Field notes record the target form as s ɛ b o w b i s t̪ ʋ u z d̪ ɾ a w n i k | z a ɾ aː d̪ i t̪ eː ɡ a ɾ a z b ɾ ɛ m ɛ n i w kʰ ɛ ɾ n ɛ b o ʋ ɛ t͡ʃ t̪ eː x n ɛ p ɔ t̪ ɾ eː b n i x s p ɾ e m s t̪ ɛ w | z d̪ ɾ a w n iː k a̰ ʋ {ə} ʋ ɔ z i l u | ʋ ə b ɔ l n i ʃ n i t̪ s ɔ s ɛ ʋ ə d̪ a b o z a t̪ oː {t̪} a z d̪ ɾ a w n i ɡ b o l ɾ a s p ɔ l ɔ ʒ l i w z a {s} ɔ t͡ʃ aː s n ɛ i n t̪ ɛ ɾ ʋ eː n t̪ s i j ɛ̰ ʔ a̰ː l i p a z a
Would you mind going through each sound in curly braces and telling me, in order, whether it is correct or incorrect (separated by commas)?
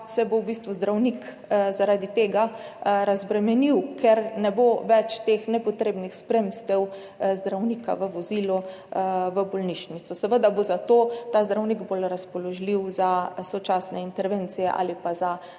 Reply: correct, correct, correct